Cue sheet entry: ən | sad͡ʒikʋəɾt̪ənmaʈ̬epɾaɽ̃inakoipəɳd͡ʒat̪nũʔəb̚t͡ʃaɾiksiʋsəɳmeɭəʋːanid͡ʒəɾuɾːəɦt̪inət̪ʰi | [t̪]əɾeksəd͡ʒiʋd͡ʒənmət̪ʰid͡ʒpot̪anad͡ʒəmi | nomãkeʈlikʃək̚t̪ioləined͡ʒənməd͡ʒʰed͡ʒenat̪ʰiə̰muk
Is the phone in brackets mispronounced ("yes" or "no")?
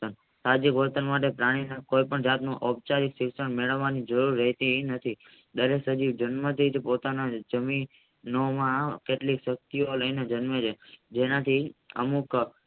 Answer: yes